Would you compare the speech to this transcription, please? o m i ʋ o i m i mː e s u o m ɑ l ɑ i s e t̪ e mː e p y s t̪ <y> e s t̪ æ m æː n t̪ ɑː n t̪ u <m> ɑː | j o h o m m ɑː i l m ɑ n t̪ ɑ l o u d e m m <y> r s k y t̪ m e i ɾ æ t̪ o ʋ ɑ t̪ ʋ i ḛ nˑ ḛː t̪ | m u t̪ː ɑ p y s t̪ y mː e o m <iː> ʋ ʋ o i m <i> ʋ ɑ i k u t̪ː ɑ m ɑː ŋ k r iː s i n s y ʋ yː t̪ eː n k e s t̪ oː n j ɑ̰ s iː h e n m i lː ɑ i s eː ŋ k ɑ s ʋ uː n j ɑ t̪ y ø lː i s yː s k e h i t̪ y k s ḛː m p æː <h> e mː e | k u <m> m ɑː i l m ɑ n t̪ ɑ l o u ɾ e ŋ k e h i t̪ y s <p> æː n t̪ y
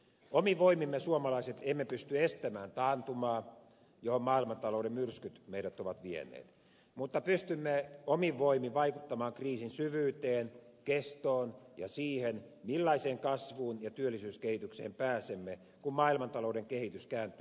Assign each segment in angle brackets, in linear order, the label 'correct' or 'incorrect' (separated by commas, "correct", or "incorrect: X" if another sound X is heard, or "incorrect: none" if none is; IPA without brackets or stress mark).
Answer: correct, correct, correct, incorrect: i, correct, incorrect: s, correct, incorrect: k